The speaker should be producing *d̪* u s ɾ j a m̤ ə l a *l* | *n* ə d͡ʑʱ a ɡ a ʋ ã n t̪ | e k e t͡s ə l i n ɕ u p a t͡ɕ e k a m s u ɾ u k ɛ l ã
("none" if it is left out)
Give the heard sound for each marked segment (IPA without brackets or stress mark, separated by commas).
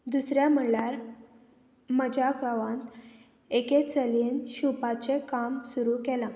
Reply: d̪, ɾ, m